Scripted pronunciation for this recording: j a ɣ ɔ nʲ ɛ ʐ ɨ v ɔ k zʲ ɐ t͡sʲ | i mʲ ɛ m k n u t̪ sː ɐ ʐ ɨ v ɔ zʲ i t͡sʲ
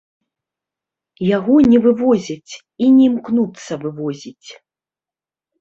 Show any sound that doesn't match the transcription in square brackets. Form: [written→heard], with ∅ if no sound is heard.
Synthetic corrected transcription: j a ɣ ɔ nʲ ɛ [ʐ→v] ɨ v ɔ [k→∅] zʲ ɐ t͡sʲ | i [mʲ→nʲ] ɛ m k n u t̪ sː ɐ [ʐ→v] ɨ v ɔ zʲ i t͡sʲ